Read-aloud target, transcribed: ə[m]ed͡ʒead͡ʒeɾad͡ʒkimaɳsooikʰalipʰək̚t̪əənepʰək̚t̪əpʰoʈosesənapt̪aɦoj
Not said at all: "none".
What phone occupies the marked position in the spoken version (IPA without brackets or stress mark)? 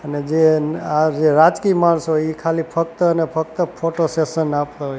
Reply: n